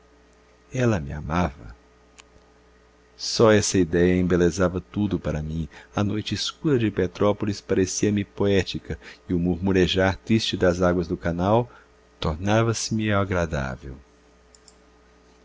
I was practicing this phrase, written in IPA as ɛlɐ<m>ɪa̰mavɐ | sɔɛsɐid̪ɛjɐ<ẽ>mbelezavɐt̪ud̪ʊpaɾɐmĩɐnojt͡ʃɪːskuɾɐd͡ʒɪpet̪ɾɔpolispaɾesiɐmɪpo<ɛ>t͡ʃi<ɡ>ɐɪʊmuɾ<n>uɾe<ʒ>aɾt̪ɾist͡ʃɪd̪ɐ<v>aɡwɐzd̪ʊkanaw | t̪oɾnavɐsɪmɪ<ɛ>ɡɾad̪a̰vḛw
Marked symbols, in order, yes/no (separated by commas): yes, yes, yes, no, no, yes, no, no